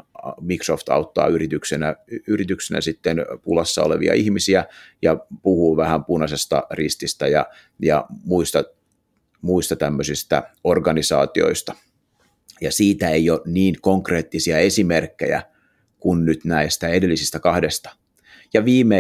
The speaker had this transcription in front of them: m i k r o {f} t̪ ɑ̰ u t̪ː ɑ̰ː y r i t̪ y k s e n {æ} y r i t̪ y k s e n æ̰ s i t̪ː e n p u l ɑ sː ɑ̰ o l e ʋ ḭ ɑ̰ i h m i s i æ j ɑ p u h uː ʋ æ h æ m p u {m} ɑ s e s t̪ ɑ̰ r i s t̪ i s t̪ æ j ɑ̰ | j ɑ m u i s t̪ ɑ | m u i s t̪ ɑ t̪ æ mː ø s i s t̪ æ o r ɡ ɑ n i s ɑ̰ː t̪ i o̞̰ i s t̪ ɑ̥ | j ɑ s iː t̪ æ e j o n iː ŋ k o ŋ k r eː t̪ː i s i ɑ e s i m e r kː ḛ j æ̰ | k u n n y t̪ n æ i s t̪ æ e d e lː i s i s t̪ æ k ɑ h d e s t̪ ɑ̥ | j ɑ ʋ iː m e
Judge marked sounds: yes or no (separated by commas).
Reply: yes, yes, no